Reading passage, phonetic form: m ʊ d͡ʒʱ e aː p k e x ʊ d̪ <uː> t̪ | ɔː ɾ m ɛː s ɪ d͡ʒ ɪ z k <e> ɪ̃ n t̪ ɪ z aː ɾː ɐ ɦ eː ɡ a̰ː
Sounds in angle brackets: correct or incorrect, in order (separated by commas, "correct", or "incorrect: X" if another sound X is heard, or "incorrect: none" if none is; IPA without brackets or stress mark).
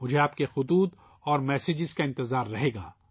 correct, incorrect: a